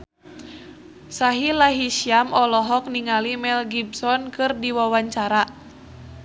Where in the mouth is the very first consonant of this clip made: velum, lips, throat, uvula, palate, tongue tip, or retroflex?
tongue tip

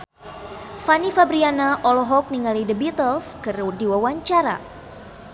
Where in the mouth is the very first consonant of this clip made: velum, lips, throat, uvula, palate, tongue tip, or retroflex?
lips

